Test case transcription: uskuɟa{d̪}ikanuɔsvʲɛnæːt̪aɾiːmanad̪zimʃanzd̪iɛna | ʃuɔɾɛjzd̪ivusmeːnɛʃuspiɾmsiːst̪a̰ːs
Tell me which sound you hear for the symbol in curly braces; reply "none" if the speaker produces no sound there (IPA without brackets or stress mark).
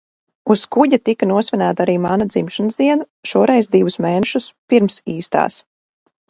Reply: t̪